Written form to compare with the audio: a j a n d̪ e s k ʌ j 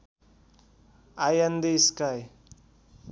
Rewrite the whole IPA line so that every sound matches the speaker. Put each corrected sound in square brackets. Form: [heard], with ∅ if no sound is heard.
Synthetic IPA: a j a n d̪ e s k [a] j